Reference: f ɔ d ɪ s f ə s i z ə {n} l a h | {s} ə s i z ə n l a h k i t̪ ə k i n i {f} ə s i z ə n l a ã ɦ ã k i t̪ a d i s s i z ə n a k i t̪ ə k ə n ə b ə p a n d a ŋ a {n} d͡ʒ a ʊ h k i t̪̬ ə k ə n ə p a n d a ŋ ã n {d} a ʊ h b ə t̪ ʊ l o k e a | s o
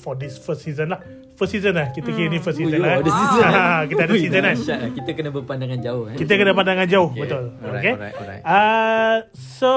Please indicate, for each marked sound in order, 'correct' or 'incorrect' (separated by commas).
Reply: correct, incorrect, correct, correct, incorrect